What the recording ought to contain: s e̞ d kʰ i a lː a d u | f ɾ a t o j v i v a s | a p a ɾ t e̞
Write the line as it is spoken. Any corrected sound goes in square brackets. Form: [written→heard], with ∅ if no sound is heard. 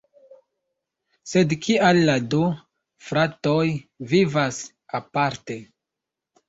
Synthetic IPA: s e̞ d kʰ i a lː a d u | f ɾ a t o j v i v a s | a p a ɾ t e̞